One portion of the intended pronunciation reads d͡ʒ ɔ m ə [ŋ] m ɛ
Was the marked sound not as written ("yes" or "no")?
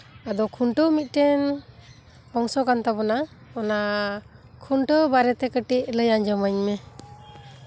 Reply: yes